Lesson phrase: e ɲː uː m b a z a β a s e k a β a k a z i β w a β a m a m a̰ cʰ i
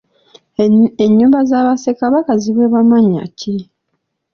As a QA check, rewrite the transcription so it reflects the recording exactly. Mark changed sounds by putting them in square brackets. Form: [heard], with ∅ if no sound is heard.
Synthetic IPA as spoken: e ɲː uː m b a z a β a s e k a β a k a z i β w [e] β a m a [ɲ] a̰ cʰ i